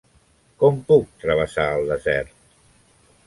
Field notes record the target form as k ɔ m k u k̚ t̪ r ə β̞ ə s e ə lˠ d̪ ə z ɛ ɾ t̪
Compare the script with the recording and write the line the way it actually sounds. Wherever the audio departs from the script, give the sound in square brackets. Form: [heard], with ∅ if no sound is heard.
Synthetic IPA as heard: k ɔ m [p] u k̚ t̪ [ɾ] ə β̞ ə s [a] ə lˠ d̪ ə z ɛ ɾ t̪